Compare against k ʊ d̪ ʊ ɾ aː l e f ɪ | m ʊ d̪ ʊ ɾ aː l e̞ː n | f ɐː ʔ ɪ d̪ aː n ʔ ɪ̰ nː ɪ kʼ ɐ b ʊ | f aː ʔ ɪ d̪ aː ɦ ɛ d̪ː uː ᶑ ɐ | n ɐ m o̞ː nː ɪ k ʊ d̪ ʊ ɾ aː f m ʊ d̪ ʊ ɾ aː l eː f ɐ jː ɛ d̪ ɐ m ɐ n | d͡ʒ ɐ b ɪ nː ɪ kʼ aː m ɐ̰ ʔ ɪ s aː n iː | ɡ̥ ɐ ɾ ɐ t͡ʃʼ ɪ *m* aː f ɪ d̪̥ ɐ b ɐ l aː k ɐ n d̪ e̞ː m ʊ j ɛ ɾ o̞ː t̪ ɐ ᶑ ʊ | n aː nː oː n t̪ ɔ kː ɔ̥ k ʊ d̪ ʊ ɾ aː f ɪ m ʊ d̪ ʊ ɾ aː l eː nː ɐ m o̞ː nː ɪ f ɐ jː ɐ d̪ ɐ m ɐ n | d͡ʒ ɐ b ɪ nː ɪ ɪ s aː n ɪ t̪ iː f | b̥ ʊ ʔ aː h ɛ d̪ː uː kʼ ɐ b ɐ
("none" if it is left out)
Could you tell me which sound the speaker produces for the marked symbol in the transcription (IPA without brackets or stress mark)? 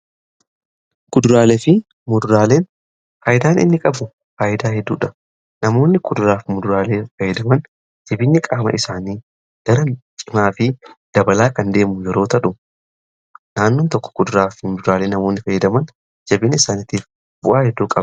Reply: m